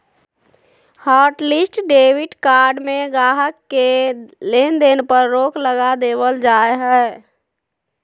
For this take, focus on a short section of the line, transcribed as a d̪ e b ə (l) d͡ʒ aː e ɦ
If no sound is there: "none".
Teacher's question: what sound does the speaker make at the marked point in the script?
l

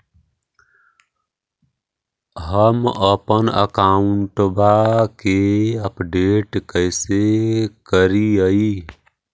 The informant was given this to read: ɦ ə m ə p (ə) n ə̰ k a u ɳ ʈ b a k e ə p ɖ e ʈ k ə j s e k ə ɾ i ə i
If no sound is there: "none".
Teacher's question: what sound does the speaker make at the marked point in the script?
ə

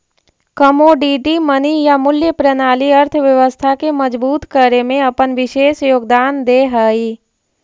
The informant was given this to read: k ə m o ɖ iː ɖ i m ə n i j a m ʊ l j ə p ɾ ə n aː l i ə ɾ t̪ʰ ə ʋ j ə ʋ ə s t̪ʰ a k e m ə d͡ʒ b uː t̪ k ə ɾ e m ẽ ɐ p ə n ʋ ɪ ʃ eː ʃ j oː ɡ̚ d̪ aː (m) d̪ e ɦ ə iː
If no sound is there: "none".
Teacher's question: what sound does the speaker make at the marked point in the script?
n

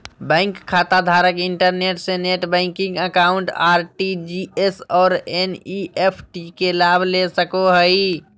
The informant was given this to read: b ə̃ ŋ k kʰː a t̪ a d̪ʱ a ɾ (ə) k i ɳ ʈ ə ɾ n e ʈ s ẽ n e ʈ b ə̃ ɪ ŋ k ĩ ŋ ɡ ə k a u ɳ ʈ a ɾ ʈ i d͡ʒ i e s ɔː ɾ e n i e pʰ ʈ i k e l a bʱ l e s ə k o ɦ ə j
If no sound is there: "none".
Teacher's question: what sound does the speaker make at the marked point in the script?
ə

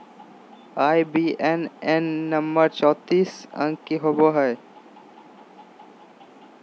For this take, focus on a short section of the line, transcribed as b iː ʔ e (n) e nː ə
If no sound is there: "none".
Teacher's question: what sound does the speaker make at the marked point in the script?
n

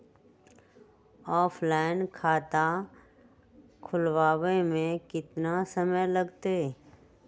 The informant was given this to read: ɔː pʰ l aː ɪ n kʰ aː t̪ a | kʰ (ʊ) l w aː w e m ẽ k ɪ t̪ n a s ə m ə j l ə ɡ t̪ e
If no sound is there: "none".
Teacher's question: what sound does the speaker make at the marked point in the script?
ʊ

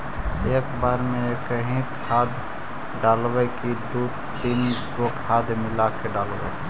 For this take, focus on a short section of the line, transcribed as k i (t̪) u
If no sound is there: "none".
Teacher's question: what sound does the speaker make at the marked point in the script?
d̪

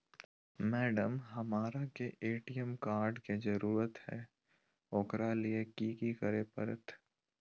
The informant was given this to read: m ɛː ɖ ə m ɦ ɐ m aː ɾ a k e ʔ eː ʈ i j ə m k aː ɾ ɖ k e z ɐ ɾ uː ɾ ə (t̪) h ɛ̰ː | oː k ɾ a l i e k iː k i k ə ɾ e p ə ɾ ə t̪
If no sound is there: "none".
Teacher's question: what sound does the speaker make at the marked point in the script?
t̪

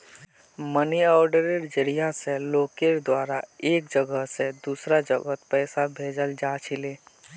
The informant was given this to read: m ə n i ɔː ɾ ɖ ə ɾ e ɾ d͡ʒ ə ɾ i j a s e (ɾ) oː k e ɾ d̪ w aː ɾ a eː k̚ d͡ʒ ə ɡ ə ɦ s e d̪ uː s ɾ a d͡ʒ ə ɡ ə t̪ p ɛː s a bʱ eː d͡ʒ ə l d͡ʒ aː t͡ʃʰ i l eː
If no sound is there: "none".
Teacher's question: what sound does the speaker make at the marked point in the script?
l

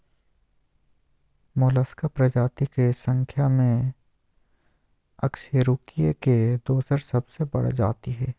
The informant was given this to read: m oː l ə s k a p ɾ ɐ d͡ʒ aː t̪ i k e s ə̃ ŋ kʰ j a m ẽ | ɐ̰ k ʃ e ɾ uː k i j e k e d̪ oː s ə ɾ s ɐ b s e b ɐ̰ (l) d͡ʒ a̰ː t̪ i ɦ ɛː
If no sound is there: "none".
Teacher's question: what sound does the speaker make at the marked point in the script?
ɽ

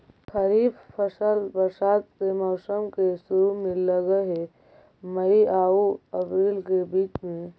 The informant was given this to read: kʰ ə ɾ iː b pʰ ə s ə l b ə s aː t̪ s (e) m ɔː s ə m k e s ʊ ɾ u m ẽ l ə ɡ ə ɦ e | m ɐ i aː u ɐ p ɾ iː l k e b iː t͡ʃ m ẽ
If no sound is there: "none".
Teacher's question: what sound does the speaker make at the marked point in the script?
e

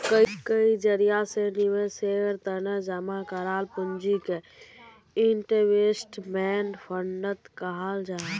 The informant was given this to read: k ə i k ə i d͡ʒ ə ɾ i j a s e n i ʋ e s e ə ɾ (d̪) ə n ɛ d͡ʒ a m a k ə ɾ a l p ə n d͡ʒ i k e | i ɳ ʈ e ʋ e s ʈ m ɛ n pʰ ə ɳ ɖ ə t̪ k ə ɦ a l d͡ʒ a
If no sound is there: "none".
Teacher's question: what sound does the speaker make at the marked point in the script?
t̪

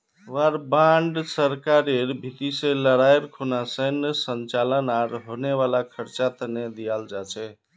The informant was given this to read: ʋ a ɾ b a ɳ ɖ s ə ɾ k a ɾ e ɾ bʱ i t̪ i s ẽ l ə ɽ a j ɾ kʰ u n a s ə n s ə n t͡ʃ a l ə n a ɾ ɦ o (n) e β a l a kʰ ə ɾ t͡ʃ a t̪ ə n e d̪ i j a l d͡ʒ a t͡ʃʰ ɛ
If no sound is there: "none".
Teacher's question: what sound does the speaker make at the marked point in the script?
n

